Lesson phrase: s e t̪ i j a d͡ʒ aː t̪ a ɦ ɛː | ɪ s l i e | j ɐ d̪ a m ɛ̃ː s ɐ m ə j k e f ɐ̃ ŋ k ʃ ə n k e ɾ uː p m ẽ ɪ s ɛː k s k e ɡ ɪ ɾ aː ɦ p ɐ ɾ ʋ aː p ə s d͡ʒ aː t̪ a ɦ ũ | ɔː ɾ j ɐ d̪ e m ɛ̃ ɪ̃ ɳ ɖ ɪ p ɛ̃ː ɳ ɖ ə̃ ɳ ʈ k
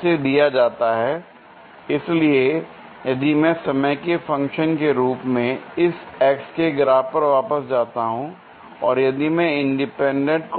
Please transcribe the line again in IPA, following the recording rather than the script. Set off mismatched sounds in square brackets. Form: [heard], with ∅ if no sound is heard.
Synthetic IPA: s e [d̪] i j a d͡ʒ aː t̪ a ɦ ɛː | ɪ s l i e | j ɐ d̪ [i] m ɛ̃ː s ɐ m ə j k e f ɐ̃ ŋ k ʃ ə n k e ɾ uː p m ẽ ɪ s ɛː k s k e ɡ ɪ ɾ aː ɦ p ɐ ɾ ʋ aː p ə s d͡ʒ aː t̪ a ɦ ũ | ɔː ɾ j ɐ d̪ [i] m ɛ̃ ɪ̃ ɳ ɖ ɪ p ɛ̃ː ɳ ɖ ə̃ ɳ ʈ k

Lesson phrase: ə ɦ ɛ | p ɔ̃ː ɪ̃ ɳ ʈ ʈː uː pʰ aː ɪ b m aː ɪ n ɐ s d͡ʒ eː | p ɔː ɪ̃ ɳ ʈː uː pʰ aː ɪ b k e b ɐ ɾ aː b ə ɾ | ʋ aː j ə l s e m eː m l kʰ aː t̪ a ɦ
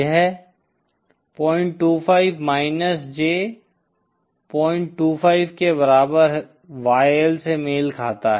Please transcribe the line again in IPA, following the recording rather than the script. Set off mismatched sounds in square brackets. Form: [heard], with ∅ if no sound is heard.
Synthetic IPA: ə ɦ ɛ | p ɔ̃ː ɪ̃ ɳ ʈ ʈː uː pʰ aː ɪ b m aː ɪ n [ə] s d͡ʒ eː | p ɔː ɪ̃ ɳ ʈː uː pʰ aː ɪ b k e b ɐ ɾ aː b ə ɾ | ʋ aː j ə l s e m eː [∅] l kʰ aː t̪ a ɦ

